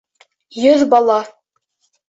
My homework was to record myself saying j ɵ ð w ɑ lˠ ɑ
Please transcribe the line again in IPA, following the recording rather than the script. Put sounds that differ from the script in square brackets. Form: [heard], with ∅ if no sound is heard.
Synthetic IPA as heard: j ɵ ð [b] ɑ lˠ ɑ